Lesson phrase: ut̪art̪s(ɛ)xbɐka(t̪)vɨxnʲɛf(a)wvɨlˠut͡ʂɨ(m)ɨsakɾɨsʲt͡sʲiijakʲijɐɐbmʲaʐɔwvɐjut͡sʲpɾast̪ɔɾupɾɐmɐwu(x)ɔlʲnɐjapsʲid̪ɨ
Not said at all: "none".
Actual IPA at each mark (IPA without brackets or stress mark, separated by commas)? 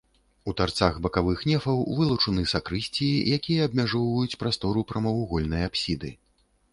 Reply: a, none, ɐ, n, ɣ